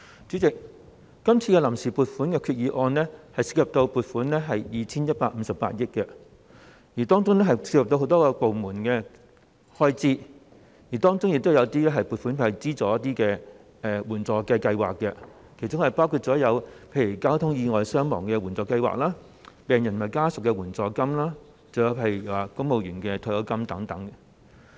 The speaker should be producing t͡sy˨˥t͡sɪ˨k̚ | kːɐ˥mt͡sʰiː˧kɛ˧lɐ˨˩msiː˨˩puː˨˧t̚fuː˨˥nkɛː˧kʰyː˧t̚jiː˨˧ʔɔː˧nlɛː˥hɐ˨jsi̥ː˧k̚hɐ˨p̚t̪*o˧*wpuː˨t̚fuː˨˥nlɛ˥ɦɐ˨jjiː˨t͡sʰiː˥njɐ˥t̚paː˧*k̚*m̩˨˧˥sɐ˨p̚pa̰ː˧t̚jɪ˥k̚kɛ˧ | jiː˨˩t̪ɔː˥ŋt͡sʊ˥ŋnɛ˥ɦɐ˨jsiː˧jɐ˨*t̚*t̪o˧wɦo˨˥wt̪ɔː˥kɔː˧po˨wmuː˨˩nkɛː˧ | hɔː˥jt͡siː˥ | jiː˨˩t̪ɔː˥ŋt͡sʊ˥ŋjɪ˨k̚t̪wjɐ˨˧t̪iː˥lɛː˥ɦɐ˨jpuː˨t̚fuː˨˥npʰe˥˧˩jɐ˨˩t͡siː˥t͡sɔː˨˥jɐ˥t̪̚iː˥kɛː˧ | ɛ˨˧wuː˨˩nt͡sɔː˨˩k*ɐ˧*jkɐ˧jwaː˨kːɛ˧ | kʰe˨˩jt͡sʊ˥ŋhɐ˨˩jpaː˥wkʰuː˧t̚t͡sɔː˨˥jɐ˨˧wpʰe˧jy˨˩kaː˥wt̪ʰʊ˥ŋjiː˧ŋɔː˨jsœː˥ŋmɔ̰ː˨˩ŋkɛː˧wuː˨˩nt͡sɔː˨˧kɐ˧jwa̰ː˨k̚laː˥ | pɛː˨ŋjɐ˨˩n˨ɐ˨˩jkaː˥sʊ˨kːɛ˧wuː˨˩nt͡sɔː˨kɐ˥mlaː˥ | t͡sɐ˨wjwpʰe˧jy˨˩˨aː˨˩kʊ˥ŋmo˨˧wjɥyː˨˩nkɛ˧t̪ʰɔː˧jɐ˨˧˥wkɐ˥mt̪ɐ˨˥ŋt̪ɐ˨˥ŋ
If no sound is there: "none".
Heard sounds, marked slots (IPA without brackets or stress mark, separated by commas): o˧, k̚, p̚, ɐ˧